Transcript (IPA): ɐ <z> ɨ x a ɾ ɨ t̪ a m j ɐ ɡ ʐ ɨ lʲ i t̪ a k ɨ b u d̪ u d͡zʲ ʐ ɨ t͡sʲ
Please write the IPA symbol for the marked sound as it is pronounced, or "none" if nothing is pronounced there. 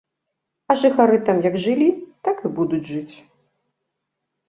ʐ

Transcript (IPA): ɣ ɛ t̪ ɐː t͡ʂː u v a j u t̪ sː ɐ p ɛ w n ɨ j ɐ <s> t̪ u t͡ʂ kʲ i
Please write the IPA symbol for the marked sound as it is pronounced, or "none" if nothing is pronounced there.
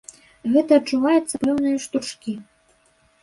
ʂ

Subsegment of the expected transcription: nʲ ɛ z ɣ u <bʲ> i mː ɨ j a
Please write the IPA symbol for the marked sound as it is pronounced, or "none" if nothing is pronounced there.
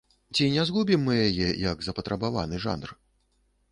bʲ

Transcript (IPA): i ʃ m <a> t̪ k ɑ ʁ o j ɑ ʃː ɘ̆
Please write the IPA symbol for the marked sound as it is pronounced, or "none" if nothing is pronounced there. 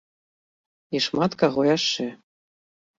ɑ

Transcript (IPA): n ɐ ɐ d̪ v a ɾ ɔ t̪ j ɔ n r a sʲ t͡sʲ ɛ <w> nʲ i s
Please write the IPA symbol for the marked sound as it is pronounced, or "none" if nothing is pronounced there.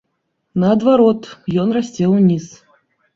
w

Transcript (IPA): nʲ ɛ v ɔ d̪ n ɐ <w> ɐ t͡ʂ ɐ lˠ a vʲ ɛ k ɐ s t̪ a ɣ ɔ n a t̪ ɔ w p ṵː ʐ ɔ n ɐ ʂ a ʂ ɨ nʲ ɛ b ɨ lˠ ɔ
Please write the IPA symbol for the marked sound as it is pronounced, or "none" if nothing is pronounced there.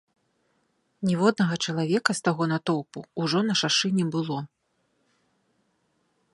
ɣ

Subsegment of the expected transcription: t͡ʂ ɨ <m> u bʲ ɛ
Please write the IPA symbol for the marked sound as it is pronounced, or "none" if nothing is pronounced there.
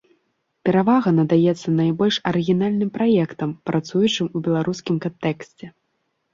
m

